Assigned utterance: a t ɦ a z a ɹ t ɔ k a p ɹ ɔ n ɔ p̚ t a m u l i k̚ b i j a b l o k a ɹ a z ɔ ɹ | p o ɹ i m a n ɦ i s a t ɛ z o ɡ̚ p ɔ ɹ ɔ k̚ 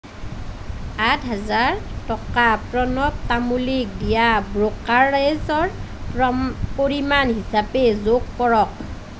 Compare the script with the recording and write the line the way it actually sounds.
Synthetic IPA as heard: a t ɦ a z a ɹ t ɔ k a p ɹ ɔ n ɔ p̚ t a m u l i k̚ d i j a b ɹ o k a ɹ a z ɔ ɹ | p o ɹ i m a n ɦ i s a p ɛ z o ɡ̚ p ɔ ɹ ɔ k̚